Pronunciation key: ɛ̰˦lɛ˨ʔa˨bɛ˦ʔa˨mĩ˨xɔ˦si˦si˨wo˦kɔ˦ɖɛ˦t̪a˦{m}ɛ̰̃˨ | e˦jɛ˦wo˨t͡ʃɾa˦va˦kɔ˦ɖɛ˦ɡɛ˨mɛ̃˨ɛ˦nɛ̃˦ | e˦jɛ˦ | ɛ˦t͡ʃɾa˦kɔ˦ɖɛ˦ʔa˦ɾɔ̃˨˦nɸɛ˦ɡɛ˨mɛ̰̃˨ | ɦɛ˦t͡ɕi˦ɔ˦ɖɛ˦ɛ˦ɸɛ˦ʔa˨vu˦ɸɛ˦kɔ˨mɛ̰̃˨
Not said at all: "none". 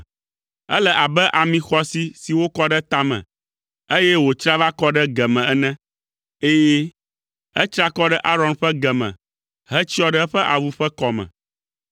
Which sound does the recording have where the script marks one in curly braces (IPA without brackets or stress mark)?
m